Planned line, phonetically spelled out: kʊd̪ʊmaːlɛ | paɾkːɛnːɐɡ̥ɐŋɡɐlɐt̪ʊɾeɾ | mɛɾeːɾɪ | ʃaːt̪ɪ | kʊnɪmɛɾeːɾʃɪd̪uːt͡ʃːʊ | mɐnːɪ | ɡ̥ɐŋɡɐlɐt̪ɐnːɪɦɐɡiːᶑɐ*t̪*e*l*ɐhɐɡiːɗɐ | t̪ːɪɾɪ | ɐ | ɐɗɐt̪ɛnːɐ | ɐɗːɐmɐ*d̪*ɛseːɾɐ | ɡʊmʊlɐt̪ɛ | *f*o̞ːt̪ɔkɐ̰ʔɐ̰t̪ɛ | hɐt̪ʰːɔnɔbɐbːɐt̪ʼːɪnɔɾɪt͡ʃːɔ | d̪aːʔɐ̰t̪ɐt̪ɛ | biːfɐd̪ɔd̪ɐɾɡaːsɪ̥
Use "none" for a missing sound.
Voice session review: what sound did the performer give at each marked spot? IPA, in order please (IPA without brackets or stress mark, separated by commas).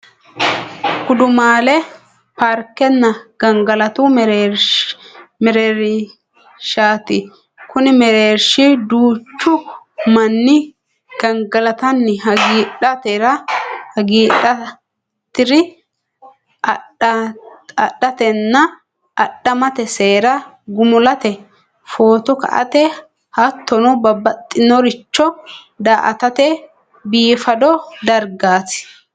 t̪, ɾ, t̪, f